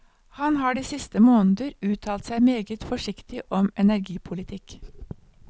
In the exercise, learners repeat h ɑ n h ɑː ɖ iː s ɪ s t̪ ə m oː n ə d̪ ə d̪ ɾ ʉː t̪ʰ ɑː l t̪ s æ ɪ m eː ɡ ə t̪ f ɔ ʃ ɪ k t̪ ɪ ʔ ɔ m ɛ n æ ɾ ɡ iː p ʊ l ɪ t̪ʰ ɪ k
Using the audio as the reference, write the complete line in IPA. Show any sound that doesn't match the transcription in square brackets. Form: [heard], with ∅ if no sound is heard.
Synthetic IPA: h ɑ n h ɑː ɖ iː s ɪ s t̪ ə m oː n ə d̪ ə [∅] ɾ ʉː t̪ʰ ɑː l t̪ s æ ɪ m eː ɡ ə t̪ f ɔ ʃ ɪ k t̪ ɪ ʔ ɔ m ɛ n æ ɾ ɡ iː [pʰ] ʊ l ɪ t̪ʰ ɪ k